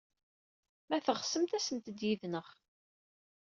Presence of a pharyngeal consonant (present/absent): absent